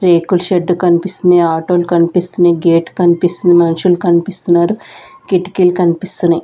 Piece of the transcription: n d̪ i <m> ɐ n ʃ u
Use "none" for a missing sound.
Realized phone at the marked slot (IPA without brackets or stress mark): m